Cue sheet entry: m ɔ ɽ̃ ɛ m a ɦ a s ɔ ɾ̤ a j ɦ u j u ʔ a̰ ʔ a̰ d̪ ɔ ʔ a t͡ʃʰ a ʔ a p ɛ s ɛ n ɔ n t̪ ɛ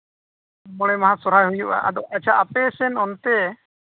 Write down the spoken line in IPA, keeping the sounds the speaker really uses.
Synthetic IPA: m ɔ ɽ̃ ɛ m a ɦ a s ɔ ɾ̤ a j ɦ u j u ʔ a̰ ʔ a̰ d̪ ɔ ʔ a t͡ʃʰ a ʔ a p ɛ s ɛ n ɔ n t̪ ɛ